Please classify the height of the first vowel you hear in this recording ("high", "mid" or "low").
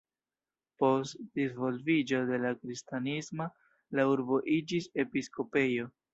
mid